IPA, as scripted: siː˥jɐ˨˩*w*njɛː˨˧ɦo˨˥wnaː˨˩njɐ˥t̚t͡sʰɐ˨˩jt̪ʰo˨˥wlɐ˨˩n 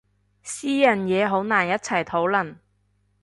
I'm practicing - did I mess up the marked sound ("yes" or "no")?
yes